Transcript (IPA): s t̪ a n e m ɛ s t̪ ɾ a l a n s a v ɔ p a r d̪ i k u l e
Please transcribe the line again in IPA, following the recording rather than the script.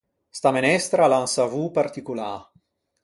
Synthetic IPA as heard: s t̪ a m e n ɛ s t̪ ɾ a l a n s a v u p a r t̪ i k u l a